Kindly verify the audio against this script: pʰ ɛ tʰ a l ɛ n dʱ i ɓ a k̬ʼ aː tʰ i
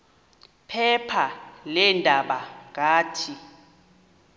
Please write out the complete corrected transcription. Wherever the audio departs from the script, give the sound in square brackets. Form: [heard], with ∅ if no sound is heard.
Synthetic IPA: pʰ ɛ [pʰ] a l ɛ n dʱ [a] ɓ a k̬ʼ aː tʰ i